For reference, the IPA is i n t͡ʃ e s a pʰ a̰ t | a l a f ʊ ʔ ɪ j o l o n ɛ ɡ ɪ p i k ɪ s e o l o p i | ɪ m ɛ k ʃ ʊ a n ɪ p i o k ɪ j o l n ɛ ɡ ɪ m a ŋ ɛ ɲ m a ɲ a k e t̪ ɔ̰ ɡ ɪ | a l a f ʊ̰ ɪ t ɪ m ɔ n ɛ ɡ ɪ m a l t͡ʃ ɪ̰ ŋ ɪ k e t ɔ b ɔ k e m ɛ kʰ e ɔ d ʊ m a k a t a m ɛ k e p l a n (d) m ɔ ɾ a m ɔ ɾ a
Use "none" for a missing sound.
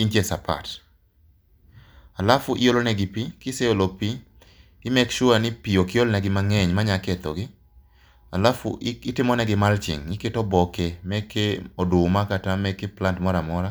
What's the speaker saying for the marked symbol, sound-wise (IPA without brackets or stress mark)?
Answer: t